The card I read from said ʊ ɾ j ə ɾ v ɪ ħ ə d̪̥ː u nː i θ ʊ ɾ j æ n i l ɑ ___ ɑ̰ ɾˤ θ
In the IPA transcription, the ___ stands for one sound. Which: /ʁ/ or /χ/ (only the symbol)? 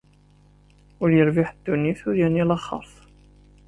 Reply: χ